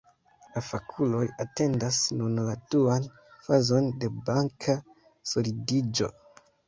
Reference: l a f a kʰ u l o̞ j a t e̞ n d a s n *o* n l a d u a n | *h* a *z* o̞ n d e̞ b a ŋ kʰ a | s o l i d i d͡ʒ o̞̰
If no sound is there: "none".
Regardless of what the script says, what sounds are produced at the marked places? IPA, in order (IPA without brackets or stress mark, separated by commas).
u, f, z